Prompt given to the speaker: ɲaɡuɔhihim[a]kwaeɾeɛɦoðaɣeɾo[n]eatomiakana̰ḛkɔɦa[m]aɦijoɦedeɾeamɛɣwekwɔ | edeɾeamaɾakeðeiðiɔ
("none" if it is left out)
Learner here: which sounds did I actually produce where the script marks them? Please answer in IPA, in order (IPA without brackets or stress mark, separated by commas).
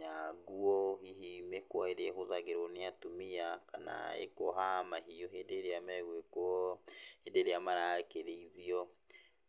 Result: e, n, m